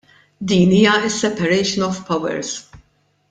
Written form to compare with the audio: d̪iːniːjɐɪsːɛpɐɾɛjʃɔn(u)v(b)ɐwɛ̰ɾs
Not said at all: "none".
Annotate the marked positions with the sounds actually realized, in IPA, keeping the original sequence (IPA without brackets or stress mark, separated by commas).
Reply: ɔ, p